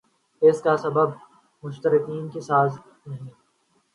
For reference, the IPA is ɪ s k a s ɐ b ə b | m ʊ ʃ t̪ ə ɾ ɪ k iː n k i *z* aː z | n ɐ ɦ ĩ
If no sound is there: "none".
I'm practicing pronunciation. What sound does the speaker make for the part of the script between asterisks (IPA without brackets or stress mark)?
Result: s